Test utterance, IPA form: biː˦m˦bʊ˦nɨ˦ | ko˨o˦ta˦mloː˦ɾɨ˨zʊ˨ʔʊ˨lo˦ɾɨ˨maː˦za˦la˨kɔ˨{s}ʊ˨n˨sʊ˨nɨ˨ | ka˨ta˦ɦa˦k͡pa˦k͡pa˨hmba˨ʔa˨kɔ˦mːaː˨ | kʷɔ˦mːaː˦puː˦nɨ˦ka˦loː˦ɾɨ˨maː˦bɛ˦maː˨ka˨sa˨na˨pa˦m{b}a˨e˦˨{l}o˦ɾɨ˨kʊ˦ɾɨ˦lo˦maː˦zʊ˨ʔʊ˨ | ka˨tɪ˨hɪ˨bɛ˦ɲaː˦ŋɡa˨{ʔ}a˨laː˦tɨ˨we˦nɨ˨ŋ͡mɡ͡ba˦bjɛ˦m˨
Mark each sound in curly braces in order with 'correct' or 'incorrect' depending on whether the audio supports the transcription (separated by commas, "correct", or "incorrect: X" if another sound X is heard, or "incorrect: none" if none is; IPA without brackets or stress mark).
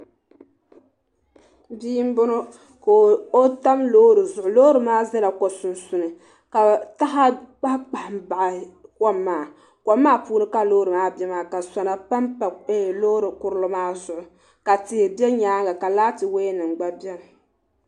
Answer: correct, incorrect: p, correct, incorrect: k